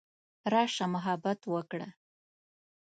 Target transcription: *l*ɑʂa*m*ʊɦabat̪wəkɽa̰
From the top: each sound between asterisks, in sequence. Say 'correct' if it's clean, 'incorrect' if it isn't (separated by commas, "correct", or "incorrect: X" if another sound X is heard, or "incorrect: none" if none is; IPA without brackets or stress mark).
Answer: incorrect: ɾ, correct